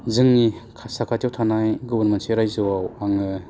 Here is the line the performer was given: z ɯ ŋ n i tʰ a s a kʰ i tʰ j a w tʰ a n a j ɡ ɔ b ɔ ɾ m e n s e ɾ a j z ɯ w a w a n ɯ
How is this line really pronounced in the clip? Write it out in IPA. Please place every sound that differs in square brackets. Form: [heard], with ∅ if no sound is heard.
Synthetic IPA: z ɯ ŋ n i [kʰ] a s a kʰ [a] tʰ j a w tʰ a n a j ɡ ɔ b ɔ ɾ m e n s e ɾ a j z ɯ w a w a [ŋ] ɯ